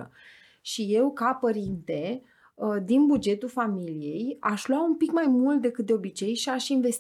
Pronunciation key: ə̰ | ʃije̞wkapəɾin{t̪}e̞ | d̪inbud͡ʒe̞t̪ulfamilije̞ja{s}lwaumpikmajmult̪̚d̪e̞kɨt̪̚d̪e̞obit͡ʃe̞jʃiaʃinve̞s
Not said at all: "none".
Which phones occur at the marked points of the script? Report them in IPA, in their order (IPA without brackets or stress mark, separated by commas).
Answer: t̪, ʃ